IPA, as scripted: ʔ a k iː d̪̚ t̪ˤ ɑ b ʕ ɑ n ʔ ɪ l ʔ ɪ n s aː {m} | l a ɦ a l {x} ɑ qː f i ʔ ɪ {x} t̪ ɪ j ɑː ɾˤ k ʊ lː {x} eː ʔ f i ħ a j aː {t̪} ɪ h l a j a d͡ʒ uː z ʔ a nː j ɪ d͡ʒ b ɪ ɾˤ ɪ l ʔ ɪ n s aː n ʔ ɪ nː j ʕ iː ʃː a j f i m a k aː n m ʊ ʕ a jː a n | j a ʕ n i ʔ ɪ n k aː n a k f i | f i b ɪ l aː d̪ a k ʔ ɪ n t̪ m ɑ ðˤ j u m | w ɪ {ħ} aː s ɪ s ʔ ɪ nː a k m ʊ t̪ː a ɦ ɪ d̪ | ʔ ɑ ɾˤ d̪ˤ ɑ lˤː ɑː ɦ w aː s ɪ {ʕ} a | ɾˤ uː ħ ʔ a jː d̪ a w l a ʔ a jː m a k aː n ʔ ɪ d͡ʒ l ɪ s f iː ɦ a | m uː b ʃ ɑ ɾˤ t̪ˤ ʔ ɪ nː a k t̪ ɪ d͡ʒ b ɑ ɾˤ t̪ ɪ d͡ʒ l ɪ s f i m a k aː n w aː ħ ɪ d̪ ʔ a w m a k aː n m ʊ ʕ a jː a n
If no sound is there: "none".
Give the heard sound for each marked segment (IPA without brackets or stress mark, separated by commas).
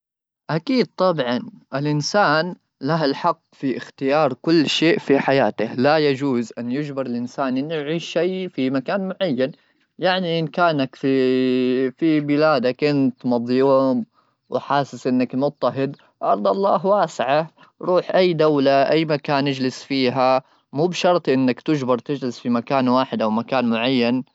n, ħ, x, ʃ, t̪, ħ, ʕ